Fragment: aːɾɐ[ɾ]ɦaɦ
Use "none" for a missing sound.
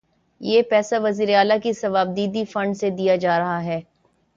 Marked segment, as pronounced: none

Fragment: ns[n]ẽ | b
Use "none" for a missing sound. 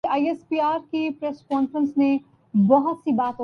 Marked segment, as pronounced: n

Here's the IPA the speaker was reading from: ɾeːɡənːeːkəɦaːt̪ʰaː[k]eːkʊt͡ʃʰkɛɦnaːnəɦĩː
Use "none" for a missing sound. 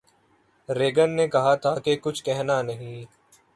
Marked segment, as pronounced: k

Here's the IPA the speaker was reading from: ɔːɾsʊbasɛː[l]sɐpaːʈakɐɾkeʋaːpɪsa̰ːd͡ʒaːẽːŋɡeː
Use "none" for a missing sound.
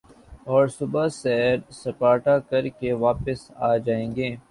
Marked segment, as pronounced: ɾ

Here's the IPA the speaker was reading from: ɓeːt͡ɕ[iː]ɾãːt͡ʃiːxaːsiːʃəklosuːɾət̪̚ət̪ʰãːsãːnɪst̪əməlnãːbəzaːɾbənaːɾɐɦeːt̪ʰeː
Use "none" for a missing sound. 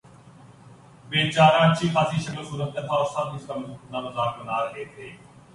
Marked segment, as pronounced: aː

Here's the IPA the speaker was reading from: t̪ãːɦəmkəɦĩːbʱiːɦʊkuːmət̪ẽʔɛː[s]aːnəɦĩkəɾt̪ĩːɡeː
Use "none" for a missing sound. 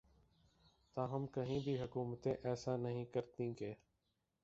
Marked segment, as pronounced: s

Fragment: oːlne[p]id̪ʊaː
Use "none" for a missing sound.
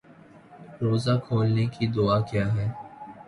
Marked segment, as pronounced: k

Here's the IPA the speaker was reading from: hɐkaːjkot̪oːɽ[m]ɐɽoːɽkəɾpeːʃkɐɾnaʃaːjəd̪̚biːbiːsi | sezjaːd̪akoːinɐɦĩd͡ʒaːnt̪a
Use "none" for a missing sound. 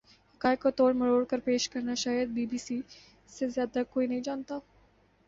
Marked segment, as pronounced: m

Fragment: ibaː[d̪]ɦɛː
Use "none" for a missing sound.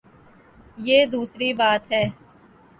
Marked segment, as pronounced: t̪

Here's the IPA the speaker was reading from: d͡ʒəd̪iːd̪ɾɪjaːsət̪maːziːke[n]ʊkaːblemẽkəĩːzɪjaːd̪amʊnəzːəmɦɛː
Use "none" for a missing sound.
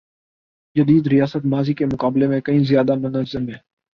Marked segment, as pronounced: m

